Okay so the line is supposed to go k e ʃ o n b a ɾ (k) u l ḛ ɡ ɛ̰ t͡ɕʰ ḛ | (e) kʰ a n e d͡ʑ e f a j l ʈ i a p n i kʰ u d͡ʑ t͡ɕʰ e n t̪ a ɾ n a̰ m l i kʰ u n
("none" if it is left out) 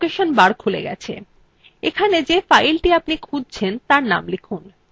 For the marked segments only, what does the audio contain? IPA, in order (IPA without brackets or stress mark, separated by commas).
kʰ, e